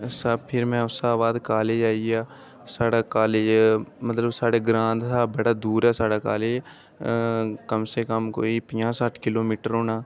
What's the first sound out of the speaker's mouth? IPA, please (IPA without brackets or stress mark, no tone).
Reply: s